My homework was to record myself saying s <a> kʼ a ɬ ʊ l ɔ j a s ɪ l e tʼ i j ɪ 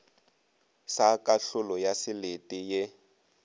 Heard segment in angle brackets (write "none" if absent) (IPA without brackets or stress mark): a